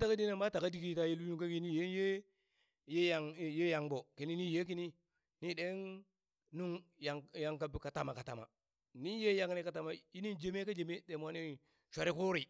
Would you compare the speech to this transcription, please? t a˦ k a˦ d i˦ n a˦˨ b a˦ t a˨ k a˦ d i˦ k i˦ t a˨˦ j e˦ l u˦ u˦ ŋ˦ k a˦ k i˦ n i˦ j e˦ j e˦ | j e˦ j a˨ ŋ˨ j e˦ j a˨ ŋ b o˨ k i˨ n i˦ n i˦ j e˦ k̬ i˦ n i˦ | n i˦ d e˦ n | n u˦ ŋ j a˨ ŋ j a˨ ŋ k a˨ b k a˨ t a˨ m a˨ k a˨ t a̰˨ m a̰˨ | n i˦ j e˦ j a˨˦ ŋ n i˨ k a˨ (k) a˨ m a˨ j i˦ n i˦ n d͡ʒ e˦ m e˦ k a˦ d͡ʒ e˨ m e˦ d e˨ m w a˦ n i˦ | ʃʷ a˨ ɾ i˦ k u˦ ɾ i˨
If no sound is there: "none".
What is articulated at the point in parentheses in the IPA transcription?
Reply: t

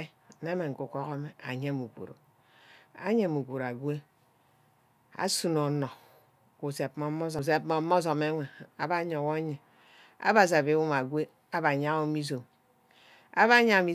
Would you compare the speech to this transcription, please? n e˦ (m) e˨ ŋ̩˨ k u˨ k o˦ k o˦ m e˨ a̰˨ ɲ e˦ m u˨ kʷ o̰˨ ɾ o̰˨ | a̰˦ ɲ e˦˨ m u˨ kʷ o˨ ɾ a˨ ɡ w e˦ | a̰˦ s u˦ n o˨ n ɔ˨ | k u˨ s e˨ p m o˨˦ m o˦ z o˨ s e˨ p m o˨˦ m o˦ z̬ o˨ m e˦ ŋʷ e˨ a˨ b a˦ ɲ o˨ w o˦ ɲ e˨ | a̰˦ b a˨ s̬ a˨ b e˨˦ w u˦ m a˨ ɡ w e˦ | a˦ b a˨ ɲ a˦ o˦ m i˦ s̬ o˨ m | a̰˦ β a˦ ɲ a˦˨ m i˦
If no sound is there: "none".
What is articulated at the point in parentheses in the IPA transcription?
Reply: m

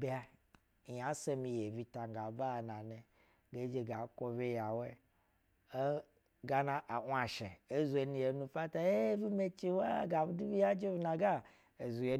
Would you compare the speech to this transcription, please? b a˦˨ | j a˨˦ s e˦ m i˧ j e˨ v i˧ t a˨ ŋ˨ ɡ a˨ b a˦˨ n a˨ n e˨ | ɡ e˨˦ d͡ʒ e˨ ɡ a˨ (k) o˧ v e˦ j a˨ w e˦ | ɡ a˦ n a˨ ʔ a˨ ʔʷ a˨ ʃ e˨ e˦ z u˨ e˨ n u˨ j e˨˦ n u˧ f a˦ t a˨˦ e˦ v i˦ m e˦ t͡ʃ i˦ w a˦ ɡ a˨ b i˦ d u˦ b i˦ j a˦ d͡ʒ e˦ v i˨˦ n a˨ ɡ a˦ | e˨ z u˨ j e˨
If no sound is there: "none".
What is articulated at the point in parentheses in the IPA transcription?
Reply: k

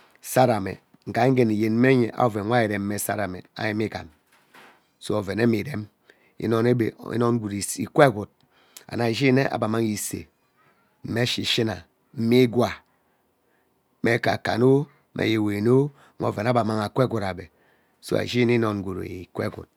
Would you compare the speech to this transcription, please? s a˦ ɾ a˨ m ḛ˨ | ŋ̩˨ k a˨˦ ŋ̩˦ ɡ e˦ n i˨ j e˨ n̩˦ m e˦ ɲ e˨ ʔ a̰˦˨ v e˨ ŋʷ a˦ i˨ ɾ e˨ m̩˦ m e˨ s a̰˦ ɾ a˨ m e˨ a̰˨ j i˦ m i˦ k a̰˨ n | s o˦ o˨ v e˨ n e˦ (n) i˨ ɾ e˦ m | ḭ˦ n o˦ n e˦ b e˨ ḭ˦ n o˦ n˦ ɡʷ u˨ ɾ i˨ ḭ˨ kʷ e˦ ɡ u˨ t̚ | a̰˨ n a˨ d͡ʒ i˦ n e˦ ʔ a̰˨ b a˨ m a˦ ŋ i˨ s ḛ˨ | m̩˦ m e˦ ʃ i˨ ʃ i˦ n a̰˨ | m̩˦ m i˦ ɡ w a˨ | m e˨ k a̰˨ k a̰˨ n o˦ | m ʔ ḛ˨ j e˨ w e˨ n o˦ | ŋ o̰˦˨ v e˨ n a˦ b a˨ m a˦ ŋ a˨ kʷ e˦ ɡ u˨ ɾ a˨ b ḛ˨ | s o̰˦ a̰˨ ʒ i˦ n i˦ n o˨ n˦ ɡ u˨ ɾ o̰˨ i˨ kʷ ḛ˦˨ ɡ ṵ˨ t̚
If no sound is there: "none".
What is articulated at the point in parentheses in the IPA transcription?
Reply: m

